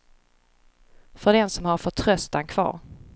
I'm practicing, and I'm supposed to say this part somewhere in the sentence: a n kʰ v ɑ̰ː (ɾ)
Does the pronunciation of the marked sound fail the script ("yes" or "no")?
no